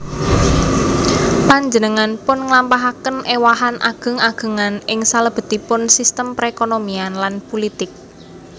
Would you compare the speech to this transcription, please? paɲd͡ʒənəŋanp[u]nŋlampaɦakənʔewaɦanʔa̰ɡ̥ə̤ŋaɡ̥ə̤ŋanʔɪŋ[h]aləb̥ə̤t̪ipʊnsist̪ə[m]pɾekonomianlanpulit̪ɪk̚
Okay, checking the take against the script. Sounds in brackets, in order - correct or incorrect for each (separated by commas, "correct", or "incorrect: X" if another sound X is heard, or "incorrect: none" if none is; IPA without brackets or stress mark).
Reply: incorrect: ʊ, incorrect: s, correct